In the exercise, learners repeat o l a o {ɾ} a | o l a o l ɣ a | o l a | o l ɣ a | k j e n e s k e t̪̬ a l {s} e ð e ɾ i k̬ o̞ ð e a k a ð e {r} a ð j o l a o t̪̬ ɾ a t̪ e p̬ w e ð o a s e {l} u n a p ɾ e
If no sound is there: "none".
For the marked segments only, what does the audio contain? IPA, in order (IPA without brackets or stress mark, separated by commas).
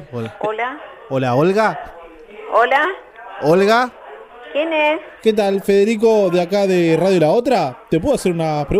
l, f, r, ɾ